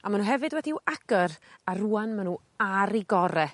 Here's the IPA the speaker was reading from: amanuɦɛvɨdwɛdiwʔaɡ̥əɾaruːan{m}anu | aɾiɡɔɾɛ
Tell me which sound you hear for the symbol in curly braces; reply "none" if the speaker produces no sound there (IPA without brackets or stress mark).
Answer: m